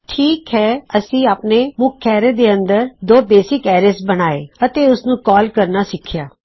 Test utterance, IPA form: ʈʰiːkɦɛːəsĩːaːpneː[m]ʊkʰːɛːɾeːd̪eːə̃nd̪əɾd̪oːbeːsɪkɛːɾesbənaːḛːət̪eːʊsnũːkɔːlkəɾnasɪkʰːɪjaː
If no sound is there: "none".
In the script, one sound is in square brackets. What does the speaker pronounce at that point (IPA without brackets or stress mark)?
m